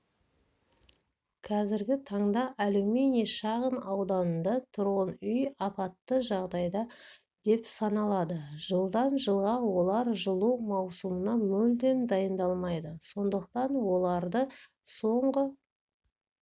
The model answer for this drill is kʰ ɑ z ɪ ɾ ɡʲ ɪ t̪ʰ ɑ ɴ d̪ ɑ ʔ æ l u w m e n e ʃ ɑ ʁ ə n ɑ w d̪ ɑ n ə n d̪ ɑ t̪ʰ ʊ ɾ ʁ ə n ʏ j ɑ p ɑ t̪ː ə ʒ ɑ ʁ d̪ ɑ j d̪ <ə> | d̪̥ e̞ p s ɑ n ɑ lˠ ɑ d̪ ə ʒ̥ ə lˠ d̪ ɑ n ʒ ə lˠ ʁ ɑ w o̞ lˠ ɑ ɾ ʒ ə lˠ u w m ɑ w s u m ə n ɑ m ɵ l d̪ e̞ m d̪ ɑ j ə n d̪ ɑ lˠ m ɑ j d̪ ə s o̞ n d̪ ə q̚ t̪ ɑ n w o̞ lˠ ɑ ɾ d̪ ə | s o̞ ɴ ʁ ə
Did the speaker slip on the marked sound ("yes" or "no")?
yes